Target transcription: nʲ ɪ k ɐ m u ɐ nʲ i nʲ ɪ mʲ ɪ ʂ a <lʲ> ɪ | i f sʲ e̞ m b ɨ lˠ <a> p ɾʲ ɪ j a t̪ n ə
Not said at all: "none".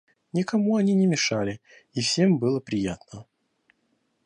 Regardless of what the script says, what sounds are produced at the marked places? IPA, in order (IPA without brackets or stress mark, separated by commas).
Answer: lʲ, ə